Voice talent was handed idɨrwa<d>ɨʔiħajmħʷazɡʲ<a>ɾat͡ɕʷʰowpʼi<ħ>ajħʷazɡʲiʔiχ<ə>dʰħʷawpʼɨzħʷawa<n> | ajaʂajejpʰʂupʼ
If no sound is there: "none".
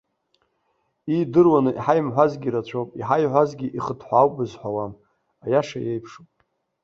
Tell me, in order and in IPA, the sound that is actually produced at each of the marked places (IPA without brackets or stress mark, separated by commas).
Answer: n, i, ħ, ə, m